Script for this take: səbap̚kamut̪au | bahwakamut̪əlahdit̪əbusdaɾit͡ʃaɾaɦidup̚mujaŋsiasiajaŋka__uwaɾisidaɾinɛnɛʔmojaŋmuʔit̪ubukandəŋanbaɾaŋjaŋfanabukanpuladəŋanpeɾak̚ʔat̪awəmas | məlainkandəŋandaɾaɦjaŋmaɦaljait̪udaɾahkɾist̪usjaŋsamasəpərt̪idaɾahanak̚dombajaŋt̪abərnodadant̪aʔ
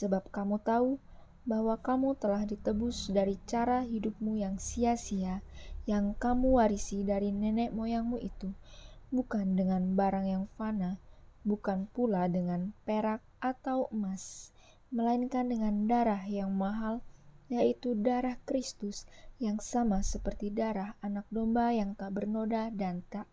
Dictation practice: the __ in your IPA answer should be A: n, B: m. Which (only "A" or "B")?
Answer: B